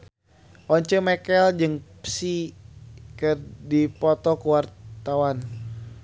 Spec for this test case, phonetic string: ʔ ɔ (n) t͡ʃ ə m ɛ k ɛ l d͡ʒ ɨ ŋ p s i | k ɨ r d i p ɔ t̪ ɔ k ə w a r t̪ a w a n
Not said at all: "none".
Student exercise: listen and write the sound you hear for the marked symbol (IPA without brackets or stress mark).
ɲ